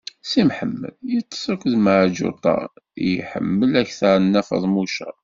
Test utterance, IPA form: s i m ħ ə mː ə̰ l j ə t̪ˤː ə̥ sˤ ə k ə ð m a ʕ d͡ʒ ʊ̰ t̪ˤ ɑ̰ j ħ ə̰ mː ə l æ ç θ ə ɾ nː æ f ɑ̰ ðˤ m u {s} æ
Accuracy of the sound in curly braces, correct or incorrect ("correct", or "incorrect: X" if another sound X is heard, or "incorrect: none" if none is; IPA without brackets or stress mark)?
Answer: incorrect: ʃ